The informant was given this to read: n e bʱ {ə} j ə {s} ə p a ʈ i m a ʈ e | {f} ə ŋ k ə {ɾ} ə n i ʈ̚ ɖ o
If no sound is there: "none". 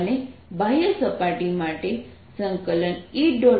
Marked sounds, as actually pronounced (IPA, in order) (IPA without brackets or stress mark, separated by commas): a, s, s, l